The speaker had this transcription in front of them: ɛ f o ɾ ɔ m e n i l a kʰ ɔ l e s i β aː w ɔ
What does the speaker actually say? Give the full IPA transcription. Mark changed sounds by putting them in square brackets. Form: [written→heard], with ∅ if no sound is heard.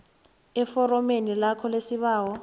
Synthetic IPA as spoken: ɛ f [o→ɔ] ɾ ɔ m e n i l a kʰ ɔ l e s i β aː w ɔ